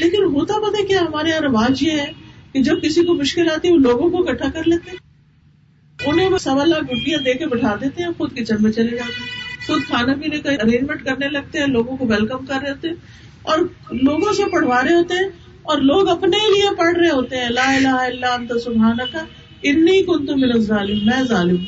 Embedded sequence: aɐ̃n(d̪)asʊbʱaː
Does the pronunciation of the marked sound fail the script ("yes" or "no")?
yes